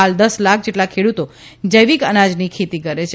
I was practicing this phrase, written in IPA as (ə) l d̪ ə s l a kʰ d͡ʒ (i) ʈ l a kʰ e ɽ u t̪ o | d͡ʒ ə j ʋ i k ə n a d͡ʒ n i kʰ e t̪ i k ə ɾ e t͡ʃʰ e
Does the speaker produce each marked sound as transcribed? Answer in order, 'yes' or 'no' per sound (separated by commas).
no, no